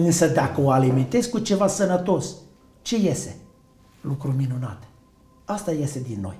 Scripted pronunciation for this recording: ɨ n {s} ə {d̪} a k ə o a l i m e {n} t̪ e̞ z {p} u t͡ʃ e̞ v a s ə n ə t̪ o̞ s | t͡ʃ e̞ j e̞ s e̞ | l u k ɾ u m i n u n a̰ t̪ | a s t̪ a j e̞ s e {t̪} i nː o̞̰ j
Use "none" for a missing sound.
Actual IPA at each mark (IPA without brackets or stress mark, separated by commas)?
s, d̪, n, k, d̪